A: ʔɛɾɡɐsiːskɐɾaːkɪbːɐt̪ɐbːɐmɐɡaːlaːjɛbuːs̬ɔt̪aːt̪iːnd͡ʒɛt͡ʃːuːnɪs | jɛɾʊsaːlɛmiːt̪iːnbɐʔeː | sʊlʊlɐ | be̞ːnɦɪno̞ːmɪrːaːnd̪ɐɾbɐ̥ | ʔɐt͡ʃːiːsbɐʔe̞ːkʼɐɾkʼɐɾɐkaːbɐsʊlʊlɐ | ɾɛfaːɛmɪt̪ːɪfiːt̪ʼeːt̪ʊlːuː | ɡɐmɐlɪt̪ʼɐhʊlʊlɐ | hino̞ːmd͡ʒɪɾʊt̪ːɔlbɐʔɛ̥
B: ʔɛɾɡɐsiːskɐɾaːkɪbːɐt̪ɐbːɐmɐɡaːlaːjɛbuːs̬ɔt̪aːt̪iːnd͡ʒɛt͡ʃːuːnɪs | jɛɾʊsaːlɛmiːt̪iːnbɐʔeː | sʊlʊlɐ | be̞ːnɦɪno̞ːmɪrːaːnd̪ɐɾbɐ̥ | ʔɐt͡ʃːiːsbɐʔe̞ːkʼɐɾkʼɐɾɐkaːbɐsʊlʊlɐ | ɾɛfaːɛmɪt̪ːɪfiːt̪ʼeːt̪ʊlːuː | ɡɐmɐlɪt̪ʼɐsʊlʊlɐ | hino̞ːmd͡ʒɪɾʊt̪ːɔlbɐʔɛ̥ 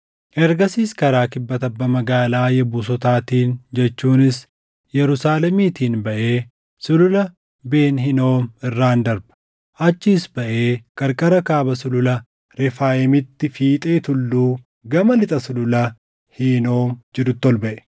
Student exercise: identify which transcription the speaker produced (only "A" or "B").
B